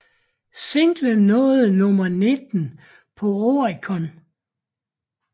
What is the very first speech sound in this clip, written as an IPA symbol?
s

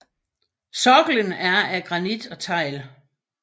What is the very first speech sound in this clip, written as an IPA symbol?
s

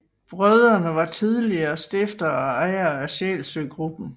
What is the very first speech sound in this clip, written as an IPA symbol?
b̥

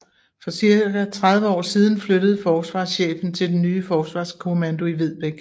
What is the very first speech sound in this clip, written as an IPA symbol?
f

